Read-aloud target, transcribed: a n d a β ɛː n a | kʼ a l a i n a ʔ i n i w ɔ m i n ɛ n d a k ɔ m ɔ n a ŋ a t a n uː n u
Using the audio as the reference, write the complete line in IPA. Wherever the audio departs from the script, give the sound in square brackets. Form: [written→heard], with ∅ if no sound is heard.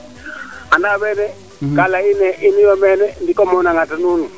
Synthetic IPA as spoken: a n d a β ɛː n [a→ɛ] | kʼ a l a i n [a→ɛ] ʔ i n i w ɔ m [i→ɛ] n ɛ n d [a→i] k ɔ m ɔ n a ŋ a t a n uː n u